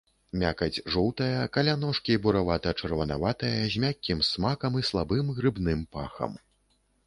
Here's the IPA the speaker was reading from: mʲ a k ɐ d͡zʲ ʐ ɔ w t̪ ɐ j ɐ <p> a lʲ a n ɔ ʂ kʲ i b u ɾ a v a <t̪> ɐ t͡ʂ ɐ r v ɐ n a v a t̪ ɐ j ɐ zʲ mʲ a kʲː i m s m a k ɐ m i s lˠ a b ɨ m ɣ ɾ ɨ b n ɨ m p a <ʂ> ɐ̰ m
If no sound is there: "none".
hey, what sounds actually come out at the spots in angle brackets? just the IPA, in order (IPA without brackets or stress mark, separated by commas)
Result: k, t̪, x